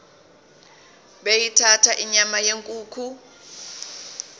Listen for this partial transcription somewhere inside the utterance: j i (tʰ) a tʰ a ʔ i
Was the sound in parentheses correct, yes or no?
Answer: yes